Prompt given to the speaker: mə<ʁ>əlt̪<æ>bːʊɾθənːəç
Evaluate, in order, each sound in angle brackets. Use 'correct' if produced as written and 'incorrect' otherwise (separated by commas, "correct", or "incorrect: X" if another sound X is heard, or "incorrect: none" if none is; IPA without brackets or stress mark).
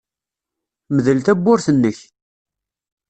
incorrect: ð, correct